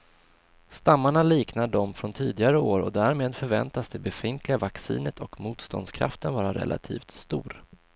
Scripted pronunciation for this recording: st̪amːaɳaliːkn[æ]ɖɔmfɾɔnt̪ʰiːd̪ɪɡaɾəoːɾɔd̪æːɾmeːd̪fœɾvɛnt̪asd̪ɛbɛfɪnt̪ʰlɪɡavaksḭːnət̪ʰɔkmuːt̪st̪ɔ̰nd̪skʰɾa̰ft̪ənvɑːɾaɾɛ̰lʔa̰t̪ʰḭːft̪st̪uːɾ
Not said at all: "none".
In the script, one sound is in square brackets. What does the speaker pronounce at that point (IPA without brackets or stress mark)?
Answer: a